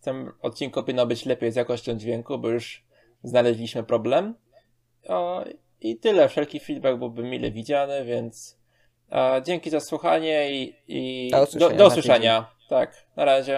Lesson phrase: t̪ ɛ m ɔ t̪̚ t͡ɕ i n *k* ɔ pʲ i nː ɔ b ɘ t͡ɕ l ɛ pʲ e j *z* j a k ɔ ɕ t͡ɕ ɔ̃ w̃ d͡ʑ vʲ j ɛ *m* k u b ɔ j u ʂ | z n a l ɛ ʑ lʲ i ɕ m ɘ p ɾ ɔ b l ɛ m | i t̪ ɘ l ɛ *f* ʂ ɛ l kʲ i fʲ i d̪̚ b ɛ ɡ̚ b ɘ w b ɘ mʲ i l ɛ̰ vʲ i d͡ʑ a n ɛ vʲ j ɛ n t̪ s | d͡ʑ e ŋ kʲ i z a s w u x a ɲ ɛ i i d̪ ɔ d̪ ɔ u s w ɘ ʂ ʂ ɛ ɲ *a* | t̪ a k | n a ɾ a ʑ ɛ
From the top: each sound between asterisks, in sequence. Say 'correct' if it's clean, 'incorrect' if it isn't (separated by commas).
correct, correct, incorrect, correct, correct